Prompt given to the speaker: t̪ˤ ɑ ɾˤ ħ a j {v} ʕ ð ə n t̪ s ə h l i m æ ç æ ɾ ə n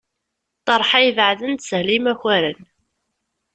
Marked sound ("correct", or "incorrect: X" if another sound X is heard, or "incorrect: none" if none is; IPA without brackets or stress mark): correct